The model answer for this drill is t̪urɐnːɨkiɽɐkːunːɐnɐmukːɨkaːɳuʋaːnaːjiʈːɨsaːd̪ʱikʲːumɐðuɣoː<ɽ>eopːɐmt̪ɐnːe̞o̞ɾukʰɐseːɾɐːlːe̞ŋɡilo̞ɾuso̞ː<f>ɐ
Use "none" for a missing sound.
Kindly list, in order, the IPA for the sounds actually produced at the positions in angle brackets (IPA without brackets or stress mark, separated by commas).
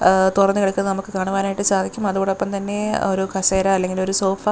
ɽ, f